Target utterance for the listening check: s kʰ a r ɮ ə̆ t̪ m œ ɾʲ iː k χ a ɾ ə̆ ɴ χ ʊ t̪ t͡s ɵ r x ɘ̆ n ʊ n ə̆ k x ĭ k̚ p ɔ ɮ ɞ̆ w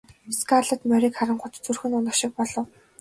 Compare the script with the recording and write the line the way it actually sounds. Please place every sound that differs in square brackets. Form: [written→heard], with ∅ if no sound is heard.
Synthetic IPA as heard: s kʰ a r ɮ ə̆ t̪ m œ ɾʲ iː k χ a ɾ ə̆ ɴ χ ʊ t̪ t͡s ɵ r x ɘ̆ n ʊ n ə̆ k [x→ʃ] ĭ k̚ p ɔ ɮ ɞ̆ w